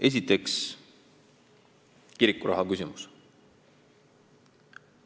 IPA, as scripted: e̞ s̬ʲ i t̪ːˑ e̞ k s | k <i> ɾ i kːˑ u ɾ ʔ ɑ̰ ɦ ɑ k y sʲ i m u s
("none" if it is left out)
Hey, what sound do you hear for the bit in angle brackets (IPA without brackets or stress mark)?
i